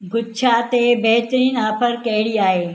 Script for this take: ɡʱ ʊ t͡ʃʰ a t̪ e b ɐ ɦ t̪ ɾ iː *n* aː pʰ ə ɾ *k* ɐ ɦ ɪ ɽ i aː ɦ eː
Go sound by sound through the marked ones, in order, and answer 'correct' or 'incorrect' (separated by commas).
correct, correct